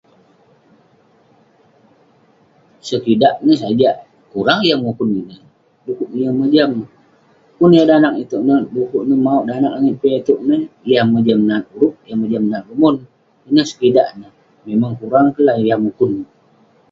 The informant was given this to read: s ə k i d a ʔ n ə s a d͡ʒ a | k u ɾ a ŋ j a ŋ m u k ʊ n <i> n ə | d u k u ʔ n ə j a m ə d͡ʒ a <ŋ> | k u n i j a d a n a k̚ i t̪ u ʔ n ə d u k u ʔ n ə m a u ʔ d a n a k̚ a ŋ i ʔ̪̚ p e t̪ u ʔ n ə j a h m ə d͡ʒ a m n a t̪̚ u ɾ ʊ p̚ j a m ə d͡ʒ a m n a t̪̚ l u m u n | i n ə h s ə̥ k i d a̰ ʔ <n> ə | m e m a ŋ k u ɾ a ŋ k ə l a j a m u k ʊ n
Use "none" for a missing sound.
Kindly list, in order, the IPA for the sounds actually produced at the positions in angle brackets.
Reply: i, m, n

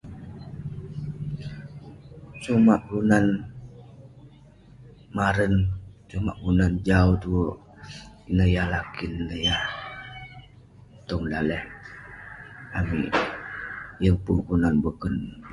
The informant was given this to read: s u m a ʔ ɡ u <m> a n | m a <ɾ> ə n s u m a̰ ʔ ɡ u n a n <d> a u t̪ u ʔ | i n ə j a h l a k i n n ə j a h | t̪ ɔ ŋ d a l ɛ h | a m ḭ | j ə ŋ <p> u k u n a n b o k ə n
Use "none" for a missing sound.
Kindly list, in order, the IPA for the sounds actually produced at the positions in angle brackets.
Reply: n, ɾ, d͡ʒ, p

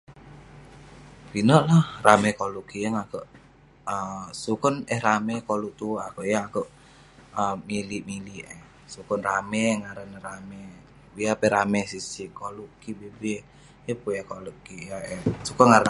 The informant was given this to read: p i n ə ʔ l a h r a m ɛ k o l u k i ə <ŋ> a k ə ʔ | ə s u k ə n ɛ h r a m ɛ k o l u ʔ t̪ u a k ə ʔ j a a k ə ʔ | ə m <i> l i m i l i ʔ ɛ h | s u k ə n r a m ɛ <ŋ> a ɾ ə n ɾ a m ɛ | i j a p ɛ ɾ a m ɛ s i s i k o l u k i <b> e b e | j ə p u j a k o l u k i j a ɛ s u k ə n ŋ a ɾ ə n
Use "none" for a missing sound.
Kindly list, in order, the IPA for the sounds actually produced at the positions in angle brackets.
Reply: ŋ, i, ŋ, b

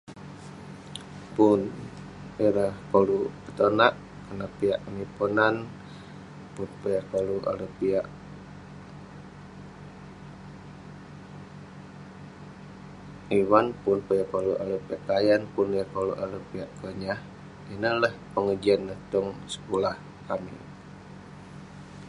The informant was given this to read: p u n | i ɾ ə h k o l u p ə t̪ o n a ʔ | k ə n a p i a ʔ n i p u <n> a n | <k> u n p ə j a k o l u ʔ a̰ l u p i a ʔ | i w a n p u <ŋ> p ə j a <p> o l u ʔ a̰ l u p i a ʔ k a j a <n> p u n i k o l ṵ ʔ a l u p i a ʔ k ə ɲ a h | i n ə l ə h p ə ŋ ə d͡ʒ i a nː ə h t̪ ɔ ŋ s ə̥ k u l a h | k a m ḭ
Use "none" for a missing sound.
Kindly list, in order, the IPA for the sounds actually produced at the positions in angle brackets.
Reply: n, p, n, k, n

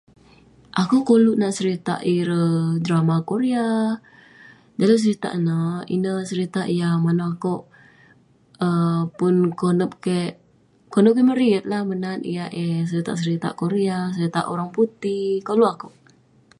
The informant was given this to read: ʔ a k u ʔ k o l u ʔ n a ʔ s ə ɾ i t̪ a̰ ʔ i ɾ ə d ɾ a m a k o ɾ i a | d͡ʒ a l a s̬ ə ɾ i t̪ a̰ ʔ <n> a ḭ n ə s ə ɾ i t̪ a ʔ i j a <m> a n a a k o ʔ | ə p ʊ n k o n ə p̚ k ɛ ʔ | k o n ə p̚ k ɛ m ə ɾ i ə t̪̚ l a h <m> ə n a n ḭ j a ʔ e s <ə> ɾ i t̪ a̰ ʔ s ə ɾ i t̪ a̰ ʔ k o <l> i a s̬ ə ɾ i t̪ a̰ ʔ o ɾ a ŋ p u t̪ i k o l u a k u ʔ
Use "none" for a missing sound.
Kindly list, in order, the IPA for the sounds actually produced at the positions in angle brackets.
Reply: n, m, m, ə, ɾ

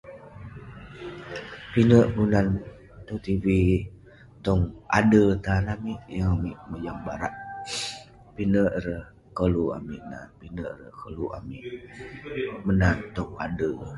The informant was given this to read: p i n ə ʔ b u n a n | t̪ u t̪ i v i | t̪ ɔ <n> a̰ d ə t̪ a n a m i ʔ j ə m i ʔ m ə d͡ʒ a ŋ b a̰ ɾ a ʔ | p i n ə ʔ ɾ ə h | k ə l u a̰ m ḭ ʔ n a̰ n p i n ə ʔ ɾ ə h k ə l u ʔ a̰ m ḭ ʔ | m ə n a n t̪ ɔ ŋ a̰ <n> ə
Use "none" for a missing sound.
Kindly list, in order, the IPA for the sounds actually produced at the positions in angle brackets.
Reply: ŋ, d

